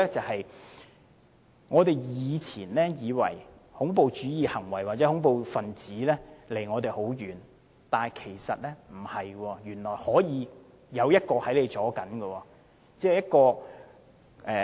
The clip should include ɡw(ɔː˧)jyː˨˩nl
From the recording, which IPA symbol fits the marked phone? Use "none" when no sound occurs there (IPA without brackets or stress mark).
ɔː˧